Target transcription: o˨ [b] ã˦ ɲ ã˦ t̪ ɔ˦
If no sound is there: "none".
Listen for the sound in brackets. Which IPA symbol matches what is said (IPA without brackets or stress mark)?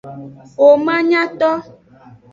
m